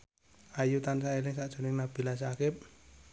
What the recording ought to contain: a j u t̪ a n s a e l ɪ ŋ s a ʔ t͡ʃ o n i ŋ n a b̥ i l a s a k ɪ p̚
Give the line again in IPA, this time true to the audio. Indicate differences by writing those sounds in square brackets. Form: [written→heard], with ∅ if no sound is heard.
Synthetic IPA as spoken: a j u t̪ a n s a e l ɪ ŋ s a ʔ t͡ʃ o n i ŋ n a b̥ i l a s a k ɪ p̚